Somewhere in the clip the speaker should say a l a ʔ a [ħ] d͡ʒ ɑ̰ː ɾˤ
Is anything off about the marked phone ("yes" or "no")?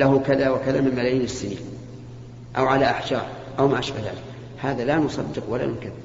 no